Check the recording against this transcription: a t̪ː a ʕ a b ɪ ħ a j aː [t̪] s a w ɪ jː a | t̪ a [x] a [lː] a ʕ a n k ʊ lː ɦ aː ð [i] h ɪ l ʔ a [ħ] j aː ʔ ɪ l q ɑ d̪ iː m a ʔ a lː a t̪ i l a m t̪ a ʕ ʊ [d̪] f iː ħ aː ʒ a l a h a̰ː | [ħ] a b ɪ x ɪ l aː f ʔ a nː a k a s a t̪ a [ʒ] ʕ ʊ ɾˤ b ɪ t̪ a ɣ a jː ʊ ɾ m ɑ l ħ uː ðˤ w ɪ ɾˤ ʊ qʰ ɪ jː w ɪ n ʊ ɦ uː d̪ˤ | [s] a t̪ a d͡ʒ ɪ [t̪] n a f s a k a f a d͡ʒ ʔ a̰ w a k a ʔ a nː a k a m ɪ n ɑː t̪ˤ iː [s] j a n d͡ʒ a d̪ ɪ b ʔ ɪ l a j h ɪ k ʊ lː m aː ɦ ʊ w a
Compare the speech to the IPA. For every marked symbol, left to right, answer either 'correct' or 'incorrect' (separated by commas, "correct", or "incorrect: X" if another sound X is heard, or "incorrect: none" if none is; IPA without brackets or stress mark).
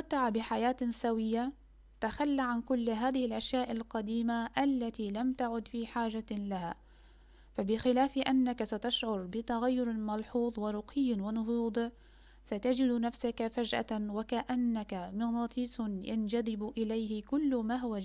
correct, correct, correct, incorrect: ɪ, incorrect: ʃ, correct, incorrect: f, incorrect: ʃ, correct, incorrect: d̪, correct